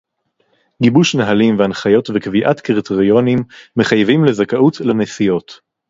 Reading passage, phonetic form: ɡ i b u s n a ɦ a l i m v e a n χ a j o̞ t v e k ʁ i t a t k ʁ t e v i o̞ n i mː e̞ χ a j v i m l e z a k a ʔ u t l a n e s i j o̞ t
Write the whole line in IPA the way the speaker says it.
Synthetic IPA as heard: ɡ i b u ʃ n a ɦ a l i m v e a n χ a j o̞ t v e k v i ʔ a t k ʁ t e ʁ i o̞ n i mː e̞ χ a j v i m l e z a k a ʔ u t l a n e s i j o̞ t